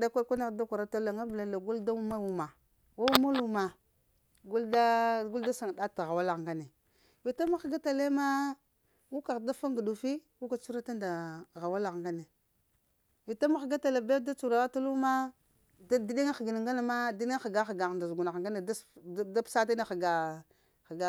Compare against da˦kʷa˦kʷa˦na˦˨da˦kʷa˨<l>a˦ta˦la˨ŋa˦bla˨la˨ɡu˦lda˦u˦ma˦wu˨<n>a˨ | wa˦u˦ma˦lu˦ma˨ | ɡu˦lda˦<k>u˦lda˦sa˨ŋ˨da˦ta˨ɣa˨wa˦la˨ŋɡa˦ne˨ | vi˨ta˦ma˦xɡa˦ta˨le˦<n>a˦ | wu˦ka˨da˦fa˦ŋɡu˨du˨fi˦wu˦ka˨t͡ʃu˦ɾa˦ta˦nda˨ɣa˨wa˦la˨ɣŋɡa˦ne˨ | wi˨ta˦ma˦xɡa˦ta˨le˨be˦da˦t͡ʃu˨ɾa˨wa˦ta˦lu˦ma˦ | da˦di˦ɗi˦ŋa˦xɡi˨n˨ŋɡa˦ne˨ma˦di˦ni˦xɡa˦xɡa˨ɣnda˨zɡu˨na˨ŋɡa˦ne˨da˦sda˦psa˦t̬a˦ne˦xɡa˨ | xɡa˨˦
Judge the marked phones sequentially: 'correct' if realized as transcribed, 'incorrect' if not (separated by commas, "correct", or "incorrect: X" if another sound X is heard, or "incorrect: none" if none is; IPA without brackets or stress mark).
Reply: incorrect: ɾ, incorrect: m, incorrect: ɡ, incorrect: m